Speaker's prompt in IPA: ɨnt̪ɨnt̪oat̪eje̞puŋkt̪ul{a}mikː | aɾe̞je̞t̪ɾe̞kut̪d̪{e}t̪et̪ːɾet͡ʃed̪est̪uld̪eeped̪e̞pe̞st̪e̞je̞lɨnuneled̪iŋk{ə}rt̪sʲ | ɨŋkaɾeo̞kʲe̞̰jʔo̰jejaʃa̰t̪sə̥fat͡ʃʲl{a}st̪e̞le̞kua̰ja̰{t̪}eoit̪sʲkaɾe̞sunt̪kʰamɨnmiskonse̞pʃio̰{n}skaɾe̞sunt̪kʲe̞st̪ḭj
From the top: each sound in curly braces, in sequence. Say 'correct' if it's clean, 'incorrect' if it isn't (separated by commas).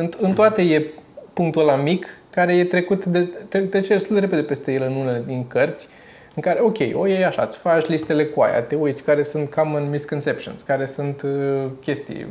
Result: correct, correct, correct, incorrect, correct, correct